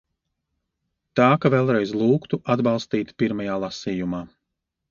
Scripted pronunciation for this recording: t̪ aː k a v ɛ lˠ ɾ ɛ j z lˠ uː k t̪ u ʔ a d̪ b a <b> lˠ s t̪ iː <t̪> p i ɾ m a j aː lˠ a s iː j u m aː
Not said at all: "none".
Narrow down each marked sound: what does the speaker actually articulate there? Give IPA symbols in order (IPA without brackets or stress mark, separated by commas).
none, t̪